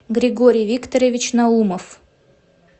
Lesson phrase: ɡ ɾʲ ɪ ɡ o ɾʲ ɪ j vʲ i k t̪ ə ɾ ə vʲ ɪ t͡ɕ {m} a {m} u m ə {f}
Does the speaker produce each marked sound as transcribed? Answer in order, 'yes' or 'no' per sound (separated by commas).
no, no, yes